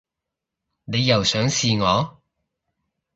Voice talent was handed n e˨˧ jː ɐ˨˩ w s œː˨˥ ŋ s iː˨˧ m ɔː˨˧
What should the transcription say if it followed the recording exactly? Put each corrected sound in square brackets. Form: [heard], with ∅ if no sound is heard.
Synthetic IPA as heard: n e˨˧ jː ɐ˨˩ w s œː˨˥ ŋ s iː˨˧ [ŋ] ɔː˨˧